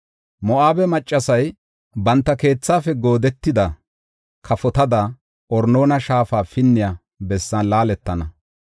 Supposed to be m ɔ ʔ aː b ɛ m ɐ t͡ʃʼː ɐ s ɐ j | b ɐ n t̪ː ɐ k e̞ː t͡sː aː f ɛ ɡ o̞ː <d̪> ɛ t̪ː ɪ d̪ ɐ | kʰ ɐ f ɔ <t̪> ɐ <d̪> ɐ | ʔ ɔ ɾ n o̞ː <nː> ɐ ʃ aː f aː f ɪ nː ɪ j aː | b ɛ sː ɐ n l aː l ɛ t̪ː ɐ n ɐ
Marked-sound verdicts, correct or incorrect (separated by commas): correct, correct, correct, incorrect